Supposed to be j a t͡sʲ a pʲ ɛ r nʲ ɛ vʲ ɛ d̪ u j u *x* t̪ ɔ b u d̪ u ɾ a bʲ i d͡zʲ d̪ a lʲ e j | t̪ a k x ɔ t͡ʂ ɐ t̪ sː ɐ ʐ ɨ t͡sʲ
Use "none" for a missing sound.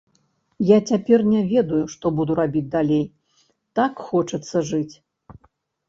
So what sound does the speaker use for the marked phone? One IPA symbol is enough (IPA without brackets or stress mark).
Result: ʂ